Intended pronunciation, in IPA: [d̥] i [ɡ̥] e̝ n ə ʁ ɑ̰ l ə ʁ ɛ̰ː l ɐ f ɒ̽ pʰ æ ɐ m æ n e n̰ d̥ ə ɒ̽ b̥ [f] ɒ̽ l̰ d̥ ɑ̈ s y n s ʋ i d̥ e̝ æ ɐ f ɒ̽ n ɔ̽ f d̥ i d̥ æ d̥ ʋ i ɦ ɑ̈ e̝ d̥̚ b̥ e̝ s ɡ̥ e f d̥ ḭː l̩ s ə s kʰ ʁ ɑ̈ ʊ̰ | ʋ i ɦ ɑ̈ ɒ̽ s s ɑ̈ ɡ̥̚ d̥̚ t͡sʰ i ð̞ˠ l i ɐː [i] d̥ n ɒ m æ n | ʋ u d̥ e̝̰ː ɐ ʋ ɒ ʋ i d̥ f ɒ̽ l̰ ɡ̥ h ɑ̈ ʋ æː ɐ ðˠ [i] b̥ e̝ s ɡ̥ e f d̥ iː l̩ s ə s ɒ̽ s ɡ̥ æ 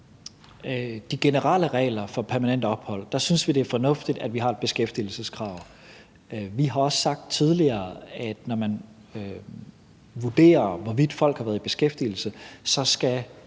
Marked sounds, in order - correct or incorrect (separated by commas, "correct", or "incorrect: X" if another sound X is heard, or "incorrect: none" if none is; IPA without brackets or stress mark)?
correct, correct, incorrect: h, incorrect: æ, correct